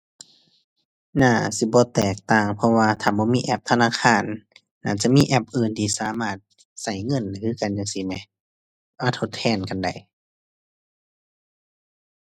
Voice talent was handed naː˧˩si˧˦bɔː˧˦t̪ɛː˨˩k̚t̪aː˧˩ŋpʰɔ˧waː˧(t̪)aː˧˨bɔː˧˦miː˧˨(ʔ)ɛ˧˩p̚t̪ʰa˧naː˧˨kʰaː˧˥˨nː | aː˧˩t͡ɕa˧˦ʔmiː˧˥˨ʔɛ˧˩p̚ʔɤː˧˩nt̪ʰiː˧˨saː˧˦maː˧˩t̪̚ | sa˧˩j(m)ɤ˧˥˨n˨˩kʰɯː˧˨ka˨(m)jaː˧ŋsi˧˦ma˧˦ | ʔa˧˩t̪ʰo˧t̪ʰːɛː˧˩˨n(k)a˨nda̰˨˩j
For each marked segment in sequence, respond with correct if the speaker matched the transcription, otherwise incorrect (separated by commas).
incorrect, correct, incorrect, incorrect, correct